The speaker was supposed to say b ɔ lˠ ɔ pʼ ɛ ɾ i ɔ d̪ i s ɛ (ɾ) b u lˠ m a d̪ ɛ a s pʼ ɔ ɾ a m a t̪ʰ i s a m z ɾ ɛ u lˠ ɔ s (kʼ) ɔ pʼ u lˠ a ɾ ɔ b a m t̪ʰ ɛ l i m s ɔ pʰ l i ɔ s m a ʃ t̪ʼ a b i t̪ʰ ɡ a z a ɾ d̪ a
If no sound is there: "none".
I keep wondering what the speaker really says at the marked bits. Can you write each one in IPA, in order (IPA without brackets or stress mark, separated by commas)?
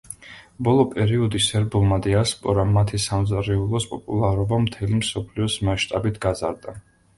ɾ, pʼ